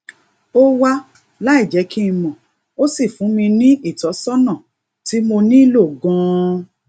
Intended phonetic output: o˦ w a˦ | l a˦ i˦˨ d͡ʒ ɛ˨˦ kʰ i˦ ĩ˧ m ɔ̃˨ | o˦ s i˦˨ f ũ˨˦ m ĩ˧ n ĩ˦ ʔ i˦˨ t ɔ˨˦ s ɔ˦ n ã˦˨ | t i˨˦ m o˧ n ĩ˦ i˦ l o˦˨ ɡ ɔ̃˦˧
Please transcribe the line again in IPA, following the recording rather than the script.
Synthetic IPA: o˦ w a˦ | l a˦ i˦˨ d͡ʒ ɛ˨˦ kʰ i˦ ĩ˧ m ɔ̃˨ | o˦ s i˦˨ f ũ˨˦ m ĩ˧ n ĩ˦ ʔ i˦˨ t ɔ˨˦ s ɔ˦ n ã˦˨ | t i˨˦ m o˧ n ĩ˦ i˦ l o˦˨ ɡ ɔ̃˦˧